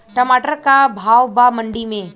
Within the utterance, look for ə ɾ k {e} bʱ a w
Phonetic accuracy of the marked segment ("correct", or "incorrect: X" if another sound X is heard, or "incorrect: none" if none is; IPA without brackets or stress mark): incorrect: a